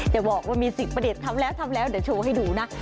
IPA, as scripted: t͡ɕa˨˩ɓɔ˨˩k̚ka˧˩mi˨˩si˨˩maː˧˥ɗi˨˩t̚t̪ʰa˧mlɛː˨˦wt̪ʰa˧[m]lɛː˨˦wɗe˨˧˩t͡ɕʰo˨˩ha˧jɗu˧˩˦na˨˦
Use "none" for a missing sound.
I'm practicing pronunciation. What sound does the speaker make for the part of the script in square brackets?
m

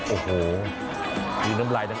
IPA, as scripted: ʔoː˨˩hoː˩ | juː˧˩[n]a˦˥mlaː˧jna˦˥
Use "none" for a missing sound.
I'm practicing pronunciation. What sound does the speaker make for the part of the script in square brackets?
n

